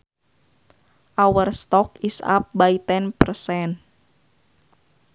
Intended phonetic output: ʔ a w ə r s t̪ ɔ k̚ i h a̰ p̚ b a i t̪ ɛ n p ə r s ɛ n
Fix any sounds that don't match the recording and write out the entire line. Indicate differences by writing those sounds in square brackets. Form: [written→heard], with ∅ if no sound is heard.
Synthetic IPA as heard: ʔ a w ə r s t̪ ɔ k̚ i [h→s] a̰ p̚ b a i t̪ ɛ n p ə r s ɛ n